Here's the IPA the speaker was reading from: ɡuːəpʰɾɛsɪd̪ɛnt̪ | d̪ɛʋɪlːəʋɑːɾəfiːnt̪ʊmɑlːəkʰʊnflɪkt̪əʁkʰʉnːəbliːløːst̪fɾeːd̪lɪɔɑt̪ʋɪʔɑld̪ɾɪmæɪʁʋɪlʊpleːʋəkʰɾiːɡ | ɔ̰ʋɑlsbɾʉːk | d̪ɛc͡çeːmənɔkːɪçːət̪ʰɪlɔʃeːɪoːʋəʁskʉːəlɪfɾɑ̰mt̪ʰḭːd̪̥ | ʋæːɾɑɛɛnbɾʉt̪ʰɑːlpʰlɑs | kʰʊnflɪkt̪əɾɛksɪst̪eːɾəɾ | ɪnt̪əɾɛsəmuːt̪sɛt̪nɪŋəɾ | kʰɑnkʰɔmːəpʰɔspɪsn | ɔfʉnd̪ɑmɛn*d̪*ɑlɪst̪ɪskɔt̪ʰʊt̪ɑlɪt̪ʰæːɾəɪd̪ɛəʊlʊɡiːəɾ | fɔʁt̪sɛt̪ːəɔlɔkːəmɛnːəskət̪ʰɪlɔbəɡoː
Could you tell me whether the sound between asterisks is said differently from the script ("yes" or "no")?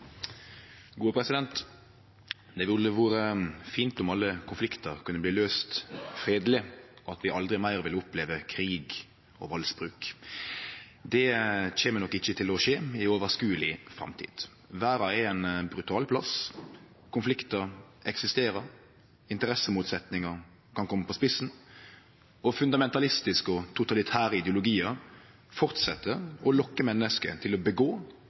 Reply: yes